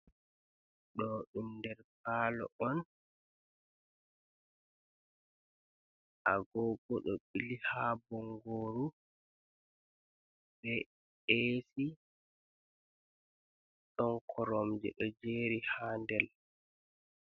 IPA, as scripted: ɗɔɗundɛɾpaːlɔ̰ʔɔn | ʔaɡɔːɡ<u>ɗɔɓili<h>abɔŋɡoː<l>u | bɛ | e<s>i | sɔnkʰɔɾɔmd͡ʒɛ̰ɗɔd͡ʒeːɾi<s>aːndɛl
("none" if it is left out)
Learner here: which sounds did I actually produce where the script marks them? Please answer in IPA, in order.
ɔ, h, ɾ, s, h

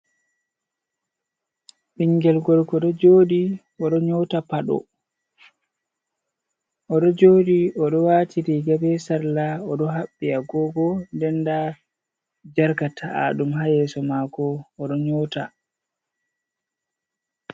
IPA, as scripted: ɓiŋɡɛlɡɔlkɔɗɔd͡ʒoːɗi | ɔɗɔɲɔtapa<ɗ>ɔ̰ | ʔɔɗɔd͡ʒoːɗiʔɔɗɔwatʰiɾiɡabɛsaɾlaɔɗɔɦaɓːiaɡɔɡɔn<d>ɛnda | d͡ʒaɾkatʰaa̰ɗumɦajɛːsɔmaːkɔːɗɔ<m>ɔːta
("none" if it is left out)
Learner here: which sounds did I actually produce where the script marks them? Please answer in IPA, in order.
ɗ, d, ɲ

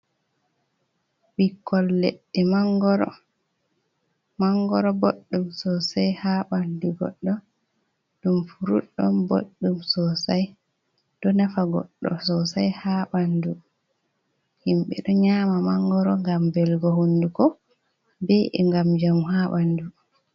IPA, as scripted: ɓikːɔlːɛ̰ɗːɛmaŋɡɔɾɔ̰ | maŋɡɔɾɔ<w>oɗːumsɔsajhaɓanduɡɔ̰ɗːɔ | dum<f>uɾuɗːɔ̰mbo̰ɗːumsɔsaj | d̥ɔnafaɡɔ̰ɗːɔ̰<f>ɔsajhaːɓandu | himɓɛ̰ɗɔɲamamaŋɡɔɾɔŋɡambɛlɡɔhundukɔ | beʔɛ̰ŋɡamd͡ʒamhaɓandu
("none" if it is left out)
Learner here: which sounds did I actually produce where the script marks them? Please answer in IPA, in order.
b, f, s

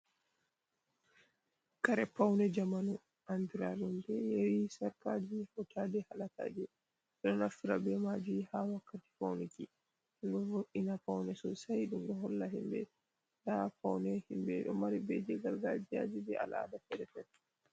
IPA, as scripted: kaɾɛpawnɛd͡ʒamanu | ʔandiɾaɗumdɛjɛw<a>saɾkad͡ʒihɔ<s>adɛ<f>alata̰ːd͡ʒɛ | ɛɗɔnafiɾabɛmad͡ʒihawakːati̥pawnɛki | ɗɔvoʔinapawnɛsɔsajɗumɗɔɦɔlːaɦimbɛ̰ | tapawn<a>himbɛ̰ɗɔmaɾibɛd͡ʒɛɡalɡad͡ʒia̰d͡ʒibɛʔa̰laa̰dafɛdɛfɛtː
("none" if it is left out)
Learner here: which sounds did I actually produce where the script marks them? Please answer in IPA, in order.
i, t, h, ɛ

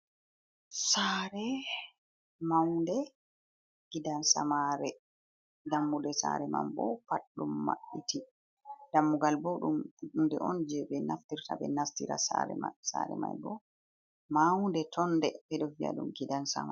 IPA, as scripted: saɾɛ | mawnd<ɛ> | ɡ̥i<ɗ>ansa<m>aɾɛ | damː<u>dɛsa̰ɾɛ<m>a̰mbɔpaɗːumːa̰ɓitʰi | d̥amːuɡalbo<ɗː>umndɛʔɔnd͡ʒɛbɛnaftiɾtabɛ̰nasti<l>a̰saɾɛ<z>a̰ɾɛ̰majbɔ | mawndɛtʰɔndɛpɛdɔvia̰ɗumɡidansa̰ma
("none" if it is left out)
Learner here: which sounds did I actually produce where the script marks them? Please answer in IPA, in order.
ɛ, d, m, u, m, ɗ, ɾ, s

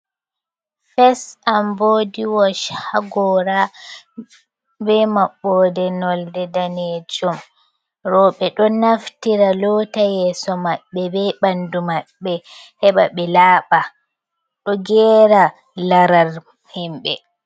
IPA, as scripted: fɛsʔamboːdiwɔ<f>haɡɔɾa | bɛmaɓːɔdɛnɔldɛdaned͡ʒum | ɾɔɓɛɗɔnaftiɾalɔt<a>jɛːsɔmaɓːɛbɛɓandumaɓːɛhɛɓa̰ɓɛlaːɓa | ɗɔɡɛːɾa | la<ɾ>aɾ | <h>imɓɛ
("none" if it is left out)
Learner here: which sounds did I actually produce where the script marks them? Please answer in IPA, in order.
ʃ, a, ɾ, h

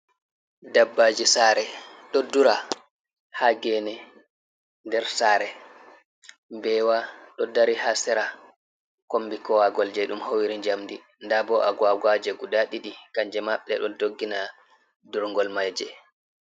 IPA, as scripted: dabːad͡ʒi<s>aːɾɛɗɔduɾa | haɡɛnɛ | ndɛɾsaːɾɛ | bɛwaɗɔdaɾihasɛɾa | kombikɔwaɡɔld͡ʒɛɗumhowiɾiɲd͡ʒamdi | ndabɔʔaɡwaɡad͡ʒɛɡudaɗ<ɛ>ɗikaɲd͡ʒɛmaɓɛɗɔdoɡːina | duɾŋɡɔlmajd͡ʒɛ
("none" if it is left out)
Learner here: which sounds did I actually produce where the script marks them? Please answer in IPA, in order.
s, i

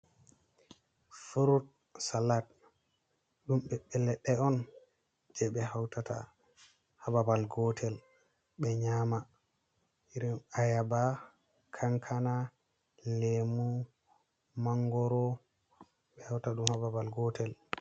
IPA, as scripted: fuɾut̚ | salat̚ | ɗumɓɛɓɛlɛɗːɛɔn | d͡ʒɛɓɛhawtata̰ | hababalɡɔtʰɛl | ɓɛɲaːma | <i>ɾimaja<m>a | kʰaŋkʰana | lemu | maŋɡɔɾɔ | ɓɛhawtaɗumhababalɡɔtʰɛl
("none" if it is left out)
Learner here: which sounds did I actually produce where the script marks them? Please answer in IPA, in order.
i, b

